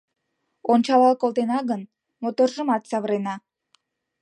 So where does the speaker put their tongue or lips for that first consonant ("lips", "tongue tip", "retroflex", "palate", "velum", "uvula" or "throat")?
tongue tip